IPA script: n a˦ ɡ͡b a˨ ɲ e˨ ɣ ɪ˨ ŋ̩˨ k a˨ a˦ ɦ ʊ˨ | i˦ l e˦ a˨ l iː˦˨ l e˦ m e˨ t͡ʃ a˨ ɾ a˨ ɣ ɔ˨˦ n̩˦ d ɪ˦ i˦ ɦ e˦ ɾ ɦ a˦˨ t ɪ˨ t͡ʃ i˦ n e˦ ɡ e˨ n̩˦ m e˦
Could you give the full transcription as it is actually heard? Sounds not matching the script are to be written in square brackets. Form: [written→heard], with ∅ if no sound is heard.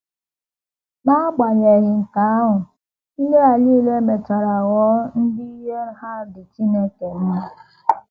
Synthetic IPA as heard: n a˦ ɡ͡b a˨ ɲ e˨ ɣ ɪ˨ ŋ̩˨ k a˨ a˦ ɦ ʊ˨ | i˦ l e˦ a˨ l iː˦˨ l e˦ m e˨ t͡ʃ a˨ ɾ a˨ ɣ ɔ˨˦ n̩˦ d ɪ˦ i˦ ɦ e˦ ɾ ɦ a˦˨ [t→d] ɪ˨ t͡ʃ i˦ n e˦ [ɡ→k] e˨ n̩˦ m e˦

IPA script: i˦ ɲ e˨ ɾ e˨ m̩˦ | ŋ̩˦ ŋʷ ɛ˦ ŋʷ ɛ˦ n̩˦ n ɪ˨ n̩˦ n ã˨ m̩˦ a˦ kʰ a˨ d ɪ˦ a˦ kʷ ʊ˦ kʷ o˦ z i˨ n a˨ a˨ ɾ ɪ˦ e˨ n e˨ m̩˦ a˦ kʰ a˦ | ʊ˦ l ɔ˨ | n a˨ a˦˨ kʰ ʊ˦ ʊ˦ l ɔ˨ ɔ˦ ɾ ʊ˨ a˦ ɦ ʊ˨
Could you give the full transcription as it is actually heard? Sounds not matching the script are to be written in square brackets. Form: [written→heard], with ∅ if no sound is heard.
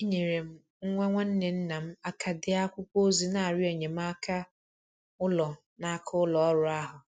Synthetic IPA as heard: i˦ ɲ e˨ ɾ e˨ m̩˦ | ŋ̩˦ ŋʷ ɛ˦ ŋʷ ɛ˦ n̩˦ n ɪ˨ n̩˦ n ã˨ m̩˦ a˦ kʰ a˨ d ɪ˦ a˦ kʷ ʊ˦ kʷ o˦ z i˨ n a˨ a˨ ɾ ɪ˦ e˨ [n→ɲ] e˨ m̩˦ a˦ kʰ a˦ | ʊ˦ l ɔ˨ | n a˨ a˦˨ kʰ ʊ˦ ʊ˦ l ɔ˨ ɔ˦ ɾ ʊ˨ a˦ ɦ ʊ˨

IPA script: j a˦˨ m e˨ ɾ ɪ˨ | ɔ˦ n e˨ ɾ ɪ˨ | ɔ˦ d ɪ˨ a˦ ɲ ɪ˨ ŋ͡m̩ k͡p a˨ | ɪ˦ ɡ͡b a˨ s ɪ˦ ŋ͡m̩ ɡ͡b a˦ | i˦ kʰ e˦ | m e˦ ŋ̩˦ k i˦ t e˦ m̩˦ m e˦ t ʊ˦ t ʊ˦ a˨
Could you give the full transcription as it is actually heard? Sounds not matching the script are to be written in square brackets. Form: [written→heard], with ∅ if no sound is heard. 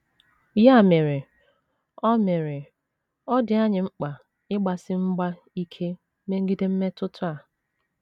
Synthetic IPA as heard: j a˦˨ m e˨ ɾ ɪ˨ | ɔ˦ [n→m] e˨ ɾ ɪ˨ | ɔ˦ d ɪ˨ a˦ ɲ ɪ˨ ŋ͡m̩ k͡p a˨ | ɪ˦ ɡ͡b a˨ s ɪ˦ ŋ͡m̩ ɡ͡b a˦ | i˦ kʰ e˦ | m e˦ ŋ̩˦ [k→ɡ] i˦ [t→d] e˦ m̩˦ m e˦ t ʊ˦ t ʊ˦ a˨

